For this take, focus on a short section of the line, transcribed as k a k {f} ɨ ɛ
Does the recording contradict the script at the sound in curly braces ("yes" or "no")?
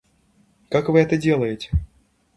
yes